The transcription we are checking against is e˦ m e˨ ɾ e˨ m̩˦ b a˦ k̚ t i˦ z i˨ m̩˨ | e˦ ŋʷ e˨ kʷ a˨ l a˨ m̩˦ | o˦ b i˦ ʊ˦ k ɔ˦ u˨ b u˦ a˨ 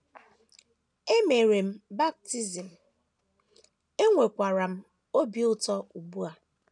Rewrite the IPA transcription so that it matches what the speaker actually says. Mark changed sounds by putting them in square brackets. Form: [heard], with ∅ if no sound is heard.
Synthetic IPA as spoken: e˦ m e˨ ɾ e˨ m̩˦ b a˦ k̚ t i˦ z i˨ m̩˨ | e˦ ŋʷ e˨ kʷ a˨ [ɾ] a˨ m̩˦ | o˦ b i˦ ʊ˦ [t] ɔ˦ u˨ b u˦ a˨